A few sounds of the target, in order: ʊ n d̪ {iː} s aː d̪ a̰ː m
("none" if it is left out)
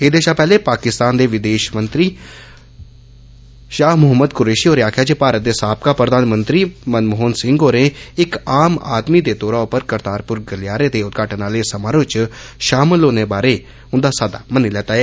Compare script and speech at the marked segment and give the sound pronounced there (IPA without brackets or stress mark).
aː